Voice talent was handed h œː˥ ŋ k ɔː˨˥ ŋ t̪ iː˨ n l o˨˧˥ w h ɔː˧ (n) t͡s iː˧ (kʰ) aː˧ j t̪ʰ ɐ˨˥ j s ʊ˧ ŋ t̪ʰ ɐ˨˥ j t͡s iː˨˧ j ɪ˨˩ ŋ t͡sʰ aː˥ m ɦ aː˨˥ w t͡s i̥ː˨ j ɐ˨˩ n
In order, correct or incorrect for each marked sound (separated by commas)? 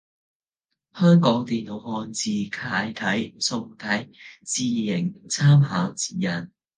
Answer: correct, correct